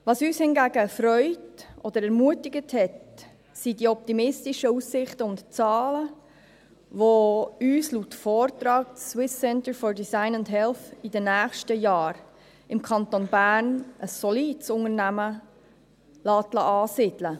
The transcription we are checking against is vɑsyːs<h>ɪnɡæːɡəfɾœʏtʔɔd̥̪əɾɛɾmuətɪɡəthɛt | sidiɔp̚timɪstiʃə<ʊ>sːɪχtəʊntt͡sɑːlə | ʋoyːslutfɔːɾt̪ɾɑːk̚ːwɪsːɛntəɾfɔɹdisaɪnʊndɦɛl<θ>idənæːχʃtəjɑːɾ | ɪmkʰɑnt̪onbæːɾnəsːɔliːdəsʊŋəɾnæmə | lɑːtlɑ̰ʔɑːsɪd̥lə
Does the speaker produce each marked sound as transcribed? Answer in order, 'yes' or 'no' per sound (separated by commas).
yes, no, yes